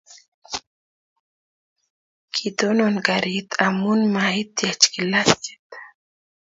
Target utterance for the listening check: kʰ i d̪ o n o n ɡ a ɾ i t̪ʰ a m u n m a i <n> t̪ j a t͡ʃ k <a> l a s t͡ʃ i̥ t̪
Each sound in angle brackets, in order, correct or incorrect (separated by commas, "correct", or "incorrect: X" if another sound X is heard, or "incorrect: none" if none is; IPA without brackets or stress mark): incorrect: none, incorrect: i